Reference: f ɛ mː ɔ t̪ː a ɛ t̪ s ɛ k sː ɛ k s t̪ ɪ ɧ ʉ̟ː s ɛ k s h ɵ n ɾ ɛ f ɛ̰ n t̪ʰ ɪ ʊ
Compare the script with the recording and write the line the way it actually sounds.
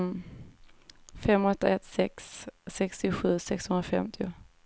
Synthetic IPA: f ɛ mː ɔ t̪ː a ɛ t̪ s ɛ k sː ɛ k s t̪ ɪ ɧ ʉ̟ː s ɛ k s h ɵ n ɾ a f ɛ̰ m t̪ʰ ɪ ʊ